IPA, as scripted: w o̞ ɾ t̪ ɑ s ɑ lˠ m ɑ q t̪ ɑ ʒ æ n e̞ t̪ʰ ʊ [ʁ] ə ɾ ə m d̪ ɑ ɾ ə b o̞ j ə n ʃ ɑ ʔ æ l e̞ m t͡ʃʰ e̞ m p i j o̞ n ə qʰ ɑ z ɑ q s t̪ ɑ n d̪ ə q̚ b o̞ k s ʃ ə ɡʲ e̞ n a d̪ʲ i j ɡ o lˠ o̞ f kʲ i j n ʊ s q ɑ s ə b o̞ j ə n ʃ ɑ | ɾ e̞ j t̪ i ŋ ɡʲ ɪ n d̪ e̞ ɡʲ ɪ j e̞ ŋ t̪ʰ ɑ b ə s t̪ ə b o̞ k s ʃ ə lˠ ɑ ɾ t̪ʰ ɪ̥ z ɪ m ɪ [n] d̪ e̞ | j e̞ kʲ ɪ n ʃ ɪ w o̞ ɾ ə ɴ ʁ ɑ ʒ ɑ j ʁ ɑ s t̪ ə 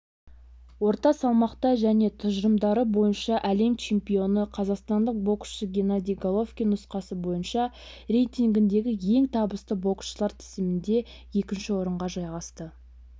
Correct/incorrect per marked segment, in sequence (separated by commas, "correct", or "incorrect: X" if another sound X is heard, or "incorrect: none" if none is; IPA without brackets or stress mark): incorrect: ʒ, correct